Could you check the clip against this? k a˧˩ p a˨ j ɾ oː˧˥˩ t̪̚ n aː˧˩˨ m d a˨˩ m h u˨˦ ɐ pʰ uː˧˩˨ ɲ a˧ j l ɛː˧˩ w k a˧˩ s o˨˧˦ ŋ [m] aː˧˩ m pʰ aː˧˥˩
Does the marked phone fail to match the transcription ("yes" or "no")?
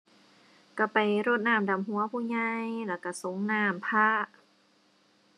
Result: yes